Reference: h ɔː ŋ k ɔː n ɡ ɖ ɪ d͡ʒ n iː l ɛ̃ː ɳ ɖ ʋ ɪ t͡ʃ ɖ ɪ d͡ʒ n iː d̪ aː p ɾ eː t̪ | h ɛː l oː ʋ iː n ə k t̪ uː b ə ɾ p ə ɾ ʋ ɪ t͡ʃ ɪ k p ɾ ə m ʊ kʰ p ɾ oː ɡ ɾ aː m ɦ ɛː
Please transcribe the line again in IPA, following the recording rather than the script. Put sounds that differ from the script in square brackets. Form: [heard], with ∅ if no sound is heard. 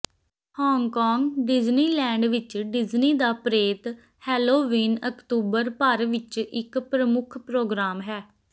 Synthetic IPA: h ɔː ŋ k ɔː [ŋ] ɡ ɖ ɪ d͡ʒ n iː l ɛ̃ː ɳ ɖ ʋ ɪ t͡ʃ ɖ ɪ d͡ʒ n iː d̪ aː p ɾ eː t̪ | h ɛː l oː ʋ iː n ə k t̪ uː b ə ɾ p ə ɾ ʋ ɪ t͡ʃ ɪ k p ɾ ə m ʊ kʰ p ɾ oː ɡ ɾ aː m ɦ ɛː